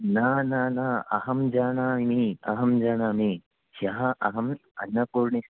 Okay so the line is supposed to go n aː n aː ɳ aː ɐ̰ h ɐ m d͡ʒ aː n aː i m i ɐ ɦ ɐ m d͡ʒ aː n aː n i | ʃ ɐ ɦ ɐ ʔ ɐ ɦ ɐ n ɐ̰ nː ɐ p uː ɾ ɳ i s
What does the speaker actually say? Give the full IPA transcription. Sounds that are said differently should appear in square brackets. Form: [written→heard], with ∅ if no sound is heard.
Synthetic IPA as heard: n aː n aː [ɳ→n] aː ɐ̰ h ɐ m d͡ʒ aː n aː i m i ɐ ɦ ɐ m d͡ʒ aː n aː [n→m] i | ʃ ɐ ɦ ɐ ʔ ɐ ɦ ɐ [n→m] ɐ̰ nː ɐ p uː ɾ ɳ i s